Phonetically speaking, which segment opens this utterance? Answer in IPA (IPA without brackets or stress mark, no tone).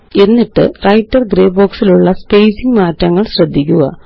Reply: e̞